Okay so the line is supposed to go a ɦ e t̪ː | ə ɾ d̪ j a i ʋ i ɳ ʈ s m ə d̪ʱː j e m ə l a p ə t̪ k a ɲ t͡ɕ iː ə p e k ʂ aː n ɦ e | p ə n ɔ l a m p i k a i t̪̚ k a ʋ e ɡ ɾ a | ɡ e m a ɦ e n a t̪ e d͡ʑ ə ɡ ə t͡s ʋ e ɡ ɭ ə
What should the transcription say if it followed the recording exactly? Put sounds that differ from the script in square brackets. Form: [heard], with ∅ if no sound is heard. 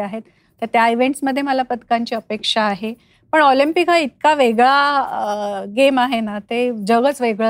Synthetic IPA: a ɦ e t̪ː | ə ɾ [t̪] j a i ʋ [e] ɳ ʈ s m ə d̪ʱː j e m ə l a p ə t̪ k a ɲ t͡ɕ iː ə p e k ʂ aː [∅] ɦ e | p ə [ɳ] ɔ l [i] m p i k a i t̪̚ k a ʋ e ɡ [ɭ] a | ɡ e m a ɦ e n a t̪ e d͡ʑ ə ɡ ə t͡s ʋ e ɡ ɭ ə